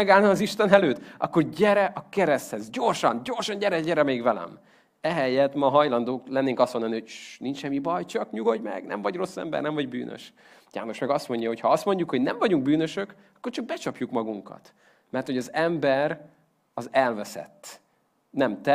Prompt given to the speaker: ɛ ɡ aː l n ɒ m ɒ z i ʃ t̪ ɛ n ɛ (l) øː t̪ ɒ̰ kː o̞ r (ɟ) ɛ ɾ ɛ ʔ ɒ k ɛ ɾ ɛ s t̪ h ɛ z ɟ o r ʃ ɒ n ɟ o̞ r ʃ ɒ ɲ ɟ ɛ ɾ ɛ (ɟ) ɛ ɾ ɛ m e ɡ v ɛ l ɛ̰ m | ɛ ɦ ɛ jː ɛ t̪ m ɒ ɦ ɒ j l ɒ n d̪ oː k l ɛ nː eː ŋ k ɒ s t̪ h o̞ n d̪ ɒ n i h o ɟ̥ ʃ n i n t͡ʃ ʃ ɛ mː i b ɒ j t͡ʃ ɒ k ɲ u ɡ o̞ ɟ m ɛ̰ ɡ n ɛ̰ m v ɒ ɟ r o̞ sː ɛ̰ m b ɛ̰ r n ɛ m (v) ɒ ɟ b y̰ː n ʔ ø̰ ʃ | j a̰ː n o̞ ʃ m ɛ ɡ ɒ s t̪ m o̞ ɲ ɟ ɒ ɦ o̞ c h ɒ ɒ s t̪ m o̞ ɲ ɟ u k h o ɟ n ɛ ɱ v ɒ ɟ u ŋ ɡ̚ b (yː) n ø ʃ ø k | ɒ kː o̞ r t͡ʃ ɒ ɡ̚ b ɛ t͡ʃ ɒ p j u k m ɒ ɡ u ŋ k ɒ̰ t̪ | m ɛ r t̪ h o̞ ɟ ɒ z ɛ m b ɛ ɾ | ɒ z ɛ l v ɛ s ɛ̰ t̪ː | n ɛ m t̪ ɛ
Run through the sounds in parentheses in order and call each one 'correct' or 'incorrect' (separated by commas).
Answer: correct, correct, correct, correct, correct